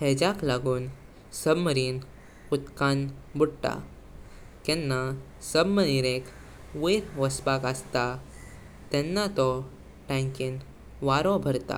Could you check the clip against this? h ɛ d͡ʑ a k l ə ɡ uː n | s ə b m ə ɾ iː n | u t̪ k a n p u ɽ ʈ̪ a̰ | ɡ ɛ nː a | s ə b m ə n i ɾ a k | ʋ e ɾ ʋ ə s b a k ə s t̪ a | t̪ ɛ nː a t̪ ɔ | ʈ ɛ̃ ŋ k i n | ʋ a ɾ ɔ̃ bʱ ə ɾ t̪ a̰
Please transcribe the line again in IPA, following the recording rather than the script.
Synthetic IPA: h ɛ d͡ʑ a k l a ɡ uː n | s ə b m ə ɾ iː n | u t̪ k a n b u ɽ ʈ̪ a̰ | k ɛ nː a | s ə b m ə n i ɾ e k | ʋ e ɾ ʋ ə s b a k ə s t̪ a | t̪ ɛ nː a t̪ ɔ | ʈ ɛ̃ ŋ k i n | ʋ a ɾ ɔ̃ bʱ ə ɾ t̪ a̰